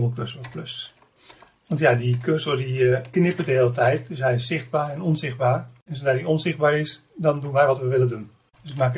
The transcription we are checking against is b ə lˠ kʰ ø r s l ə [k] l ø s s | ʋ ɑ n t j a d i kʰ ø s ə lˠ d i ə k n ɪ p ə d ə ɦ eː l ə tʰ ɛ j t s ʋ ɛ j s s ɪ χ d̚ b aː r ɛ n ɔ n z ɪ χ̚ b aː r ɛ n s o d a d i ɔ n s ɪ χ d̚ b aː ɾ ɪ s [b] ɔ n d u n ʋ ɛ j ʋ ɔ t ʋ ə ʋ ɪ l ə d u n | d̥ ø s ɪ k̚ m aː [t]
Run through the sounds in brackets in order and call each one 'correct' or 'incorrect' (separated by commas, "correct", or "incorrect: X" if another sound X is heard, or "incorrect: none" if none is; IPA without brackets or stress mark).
incorrect: p, incorrect: d, incorrect: k